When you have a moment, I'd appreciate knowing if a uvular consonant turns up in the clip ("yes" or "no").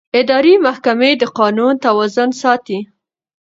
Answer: yes